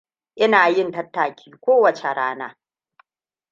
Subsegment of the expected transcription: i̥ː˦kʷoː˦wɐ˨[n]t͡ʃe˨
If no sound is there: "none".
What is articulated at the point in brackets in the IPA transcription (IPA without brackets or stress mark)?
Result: none